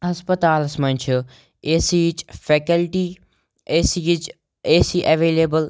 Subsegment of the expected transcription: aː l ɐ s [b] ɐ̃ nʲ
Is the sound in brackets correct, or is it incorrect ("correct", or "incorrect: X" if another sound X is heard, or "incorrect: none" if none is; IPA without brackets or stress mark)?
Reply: incorrect: m